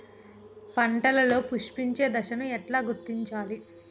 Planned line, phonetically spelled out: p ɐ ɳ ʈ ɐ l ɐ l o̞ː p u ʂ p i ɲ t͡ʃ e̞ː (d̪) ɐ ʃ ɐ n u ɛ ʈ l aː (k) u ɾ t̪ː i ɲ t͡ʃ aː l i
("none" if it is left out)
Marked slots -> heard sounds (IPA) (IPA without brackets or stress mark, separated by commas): d̪, ɡ